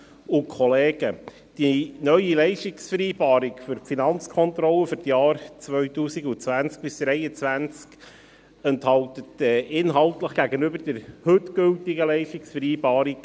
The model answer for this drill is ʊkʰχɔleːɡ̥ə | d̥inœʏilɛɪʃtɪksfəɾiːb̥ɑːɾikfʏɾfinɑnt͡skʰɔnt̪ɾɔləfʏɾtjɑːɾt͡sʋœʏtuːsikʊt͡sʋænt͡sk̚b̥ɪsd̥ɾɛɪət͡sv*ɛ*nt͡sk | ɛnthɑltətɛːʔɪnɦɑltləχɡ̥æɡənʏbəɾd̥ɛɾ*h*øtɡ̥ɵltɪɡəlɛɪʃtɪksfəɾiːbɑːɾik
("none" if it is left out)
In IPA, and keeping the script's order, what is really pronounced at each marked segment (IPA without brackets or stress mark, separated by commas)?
æ, h